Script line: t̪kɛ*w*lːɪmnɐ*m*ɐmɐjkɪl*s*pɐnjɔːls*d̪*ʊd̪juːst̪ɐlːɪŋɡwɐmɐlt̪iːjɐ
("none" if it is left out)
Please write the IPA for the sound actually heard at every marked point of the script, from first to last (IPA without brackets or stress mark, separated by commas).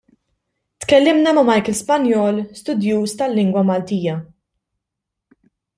none, m, s, t̪